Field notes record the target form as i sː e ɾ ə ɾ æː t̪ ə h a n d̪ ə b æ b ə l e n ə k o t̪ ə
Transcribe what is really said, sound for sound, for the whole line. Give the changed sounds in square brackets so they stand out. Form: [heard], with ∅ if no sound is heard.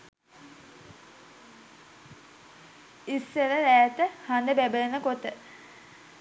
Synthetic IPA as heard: i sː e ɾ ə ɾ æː t̪ ə h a n d̪ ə b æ b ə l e n ə k o t̪ ə